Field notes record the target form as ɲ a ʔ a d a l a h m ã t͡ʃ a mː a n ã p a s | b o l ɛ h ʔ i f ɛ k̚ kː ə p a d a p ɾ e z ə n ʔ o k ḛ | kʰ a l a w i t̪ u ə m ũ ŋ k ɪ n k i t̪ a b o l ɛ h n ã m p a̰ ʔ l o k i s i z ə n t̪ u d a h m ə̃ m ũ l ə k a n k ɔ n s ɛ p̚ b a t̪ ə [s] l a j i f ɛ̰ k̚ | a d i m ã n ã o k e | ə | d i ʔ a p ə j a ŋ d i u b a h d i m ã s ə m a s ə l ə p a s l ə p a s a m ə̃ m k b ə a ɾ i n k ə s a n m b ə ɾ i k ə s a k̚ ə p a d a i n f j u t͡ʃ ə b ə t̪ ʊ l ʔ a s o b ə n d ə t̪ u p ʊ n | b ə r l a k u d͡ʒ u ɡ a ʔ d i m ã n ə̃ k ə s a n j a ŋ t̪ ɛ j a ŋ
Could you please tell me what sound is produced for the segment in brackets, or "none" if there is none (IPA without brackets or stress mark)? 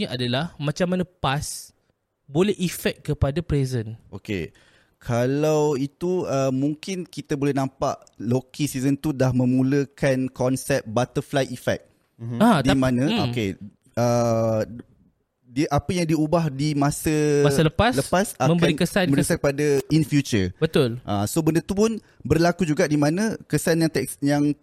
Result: f